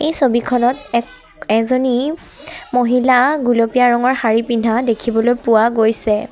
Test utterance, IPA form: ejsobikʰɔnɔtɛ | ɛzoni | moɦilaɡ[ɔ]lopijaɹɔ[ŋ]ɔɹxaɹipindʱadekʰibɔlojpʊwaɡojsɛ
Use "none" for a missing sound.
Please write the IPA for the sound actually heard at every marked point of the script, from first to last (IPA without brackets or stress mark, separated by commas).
u, ŋ